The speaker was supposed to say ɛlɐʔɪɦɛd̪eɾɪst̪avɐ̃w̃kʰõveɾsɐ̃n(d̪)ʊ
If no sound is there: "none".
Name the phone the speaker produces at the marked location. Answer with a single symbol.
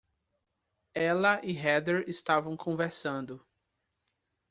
d̪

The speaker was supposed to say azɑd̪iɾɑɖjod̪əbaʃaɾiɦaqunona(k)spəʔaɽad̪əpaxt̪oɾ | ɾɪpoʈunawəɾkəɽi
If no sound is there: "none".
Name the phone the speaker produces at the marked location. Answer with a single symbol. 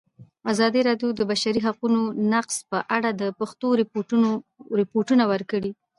q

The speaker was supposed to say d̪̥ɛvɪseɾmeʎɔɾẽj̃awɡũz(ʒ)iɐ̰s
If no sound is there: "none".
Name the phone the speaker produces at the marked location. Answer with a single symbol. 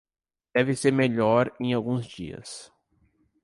d͡ʒ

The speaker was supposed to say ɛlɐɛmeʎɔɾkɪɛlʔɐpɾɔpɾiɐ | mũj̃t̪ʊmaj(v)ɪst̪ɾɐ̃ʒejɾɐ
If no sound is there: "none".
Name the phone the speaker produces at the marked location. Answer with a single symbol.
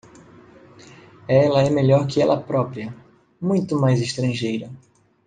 z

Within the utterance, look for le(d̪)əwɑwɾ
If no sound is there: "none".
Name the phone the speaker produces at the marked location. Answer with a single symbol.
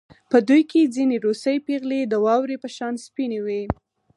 d̪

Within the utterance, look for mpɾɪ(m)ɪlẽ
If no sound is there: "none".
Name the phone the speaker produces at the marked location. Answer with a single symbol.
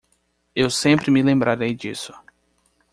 m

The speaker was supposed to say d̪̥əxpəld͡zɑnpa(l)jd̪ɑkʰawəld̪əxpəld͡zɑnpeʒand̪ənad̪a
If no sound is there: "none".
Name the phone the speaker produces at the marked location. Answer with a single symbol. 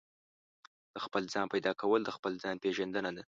none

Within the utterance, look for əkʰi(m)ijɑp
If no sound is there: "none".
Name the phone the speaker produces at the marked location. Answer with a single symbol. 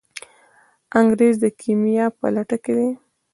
m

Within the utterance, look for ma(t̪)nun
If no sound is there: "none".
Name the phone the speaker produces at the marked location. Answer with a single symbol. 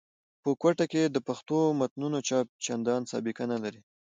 t̪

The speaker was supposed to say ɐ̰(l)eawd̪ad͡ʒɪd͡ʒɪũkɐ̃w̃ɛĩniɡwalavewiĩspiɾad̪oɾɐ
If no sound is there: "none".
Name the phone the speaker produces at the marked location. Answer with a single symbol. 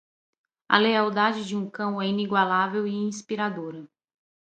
l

